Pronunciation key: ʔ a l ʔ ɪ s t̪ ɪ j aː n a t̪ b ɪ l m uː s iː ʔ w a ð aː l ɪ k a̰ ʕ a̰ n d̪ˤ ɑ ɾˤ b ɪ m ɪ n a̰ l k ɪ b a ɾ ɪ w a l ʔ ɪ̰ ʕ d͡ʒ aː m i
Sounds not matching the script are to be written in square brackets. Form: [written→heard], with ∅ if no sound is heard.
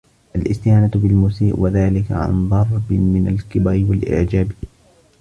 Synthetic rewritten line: ʔ a l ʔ ɪ s t̪ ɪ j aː n a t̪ b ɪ l m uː s iː ʔ w a ð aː l ɪ k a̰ ʕ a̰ n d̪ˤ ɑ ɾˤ b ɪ m ɪ n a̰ l k ɪ b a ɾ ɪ w a l ʔ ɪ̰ ʕ d͡ʒ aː [m→b] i